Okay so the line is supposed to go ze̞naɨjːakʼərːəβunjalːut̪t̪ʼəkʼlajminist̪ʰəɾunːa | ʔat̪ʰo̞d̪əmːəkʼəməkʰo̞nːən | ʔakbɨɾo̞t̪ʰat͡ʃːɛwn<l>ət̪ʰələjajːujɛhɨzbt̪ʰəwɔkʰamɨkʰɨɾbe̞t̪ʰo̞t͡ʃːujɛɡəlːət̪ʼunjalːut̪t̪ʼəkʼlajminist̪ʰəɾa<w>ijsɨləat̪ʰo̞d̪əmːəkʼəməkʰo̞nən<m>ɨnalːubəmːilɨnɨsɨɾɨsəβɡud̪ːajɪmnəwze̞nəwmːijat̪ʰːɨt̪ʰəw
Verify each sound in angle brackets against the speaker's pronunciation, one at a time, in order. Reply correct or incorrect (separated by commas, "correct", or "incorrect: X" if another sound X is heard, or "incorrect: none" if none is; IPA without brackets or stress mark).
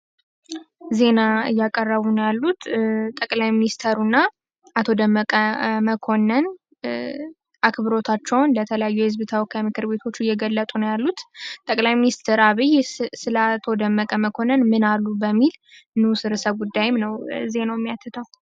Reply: correct, incorrect: β, correct